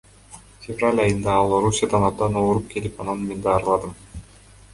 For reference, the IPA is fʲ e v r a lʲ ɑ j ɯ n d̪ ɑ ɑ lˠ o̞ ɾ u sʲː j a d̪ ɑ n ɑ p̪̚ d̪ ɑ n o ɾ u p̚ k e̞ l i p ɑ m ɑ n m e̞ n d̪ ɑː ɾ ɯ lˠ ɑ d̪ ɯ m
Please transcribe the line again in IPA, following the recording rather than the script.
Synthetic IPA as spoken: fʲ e v r a lʲ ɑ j ɯ n d̪ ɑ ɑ lˠ o̞ ɾ u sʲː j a d̪ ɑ n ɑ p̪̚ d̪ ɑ n o ɾ u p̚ k e̞ l i p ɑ n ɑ n m e̞ n d̪ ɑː ɾ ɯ lˠ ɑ d̪ ɯ m

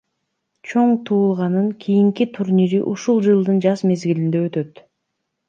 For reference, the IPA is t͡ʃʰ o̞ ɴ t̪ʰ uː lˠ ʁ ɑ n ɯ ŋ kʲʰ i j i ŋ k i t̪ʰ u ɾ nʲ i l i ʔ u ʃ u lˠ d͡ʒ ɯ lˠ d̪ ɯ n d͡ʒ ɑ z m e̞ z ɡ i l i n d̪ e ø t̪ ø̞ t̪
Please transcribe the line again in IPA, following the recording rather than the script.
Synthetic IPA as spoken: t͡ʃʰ o̞ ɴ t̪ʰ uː lˠ ʁ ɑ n ɯ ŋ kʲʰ i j i ŋ k i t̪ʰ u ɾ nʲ i ɾ i ʔ u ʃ u lˠ d͡ʒ ɯ lˠ d̪ ɯ n d͡ʒ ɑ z m e̞ z ɡ i l i n d̪ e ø t̪ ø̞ t̪

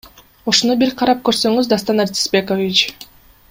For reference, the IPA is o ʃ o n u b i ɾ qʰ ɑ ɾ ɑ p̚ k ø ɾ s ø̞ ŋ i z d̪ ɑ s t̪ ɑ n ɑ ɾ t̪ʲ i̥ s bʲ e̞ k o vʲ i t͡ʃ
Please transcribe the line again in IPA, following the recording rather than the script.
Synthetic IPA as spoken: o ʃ o n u b i ɾ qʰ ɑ ɾ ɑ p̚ k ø ɾ s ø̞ ŋ y z d̪ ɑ s t̪ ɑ n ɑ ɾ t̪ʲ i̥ s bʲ e̞ k o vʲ i t͡ʃ

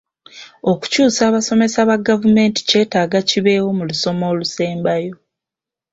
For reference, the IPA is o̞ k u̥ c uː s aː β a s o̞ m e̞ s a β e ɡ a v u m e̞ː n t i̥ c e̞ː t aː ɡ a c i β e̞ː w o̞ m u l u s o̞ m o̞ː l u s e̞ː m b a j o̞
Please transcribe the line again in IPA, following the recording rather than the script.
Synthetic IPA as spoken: o̞ k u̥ c uː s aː β a s o̞ m e̞ s a β a ɡ a v u m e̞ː n t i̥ c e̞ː t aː ɡ a c i β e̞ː w o̞ m u l u s o̞ m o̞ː l u s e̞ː m b a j o̞

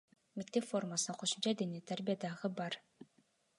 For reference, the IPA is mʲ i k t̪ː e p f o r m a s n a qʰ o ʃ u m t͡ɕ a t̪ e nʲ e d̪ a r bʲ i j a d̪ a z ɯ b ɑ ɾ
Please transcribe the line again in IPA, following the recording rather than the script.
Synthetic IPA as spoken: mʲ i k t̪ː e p f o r m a s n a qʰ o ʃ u m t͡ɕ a d̪ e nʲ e t̪ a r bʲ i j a d̪ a ʁ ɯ b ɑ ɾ

